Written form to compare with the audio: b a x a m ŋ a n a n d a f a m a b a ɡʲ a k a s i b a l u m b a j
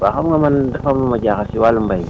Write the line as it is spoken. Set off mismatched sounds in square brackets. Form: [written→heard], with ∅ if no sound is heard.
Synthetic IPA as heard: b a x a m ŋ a [n→m] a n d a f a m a [b→m] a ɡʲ a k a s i [b→w] a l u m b a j